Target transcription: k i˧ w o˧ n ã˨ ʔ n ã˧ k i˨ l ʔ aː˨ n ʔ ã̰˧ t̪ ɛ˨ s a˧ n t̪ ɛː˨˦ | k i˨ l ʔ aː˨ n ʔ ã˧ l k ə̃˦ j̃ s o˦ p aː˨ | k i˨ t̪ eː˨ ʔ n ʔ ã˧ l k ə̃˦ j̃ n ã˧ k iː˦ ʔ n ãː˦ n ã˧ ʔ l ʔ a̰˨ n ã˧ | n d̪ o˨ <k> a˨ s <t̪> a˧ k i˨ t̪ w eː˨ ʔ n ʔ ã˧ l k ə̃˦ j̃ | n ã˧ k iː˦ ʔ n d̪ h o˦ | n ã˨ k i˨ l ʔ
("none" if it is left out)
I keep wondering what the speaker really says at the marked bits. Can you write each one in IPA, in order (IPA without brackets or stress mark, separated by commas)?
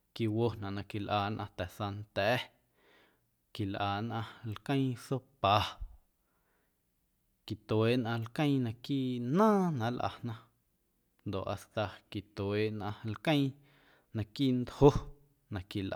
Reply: ʔ, t̪